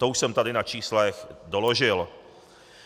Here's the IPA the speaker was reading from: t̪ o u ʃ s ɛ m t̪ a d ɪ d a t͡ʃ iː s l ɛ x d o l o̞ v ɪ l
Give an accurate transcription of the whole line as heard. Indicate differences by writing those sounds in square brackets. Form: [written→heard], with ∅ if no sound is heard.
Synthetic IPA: t̪ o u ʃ s ɛ m t̪ a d ɪ [d→n] a t͡ʃ iː s l ɛ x d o l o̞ [v→ʒ] ɪ l